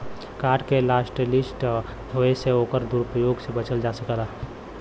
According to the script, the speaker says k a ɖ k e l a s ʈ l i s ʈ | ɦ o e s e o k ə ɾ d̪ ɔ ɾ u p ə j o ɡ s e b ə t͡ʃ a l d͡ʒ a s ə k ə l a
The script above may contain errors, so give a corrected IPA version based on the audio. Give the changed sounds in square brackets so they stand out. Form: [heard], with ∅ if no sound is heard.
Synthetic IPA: k a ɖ k e l a s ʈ l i s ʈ | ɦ o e s e o k ə ɾ d̪ [u] ɾ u p ə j o ɡ s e b ə t͡ʃ [ə] l d͡ʒ a s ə k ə l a

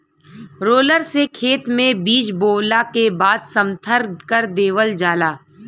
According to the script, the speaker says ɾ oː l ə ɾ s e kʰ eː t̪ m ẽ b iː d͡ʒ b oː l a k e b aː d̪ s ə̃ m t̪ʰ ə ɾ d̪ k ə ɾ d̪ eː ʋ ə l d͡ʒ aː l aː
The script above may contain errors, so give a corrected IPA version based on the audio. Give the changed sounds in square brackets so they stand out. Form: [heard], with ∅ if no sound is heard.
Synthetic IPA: ɾ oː l ə ɾ s e kʰ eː t̪ m ẽ b iː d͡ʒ b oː l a k e b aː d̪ s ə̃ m t̪ʰ ə ɾ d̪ k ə ɾ d̪ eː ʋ ə l d͡ʒ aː l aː

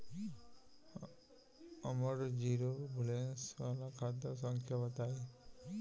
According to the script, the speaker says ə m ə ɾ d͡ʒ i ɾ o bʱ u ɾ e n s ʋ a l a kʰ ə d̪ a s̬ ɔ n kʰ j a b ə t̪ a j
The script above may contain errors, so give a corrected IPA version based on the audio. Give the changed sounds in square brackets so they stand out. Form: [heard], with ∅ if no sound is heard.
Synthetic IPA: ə m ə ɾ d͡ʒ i ɾ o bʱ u [l] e n s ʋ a l a kʰ [a] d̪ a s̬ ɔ [ŋ] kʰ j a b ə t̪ a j

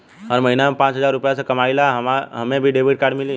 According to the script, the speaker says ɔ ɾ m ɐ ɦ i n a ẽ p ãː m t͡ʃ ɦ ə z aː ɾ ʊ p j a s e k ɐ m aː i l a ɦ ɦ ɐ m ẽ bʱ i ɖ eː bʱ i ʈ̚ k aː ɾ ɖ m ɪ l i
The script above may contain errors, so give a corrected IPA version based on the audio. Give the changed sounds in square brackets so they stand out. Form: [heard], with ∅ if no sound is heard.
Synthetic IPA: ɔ ɾ m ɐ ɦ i n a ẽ p ãː [∅] t͡ʃ ɦ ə z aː ɾ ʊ p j a s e k ɐ m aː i l a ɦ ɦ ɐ m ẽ bʱ i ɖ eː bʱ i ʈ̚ k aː ɾ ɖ m ɪ l i

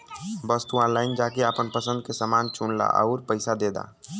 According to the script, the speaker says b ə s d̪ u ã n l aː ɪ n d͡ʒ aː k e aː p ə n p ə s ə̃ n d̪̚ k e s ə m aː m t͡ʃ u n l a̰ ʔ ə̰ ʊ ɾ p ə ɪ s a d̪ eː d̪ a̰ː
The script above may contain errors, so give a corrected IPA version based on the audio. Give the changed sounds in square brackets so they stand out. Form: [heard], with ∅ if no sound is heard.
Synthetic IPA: b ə s [t̪] u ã n l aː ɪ n d͡ʒ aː k e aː p ə n p ə s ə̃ n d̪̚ k e s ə m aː [n] t͡ʃ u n l a̰ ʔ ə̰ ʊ ɾ p ə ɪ s a d̪ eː d̪ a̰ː

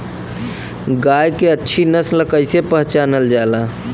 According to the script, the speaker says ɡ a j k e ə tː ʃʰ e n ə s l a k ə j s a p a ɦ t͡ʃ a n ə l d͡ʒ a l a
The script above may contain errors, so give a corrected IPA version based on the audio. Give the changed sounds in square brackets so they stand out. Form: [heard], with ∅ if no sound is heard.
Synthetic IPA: ɡ a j k e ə tː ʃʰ [i] n ə s l [ə] k ə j s [e] p [ə] ɦ t͡ʃ a n ə l d͡ʒ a l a

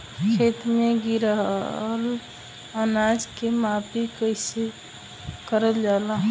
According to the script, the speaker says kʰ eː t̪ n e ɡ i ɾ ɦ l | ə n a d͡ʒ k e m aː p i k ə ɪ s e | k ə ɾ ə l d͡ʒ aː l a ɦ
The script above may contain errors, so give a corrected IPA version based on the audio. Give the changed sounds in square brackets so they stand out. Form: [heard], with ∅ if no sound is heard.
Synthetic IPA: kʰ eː t̪ [m] e ɡ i ɾ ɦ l | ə n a d͡ʒ k e m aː p i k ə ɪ s e | k ə ɾ ə l d͡ʒ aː l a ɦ

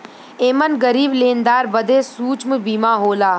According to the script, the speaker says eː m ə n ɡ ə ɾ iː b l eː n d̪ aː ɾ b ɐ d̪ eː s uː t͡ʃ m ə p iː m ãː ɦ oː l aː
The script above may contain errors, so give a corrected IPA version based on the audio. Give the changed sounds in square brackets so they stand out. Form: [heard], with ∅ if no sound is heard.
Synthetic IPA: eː m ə n ɡ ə ɾ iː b l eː n d̪ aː ɾ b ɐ d̪ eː s uː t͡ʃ m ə [b] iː m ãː ɦ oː l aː

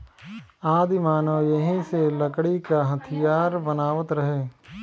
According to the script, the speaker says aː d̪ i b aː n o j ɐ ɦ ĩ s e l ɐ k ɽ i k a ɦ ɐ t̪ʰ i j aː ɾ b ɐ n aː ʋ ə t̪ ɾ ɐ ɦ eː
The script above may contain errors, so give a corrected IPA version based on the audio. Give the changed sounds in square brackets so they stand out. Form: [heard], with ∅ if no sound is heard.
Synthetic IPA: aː d̪ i [m] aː n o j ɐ ɦ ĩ s e l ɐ k ɽ i k a ɦ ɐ t̪ʰ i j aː ɾ b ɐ n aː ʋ ə t̪ ɾ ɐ ɦ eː

